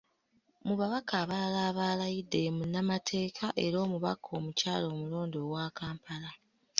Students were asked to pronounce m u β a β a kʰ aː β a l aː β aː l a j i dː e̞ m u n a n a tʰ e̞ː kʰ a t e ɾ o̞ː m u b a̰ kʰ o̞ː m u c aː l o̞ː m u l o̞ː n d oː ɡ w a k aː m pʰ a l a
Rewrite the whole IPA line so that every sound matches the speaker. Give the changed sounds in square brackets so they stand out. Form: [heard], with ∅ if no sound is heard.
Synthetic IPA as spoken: m u β a β a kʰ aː β a l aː β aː l a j i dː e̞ m u n a [m] a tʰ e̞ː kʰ a [ʔ] e ɾ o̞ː m u [β] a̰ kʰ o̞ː m u c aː l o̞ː m u l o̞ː n d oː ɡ w a k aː m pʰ a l a